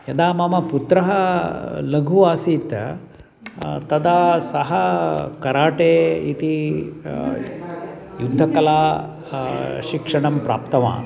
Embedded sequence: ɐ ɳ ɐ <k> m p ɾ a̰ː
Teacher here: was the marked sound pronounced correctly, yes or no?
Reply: no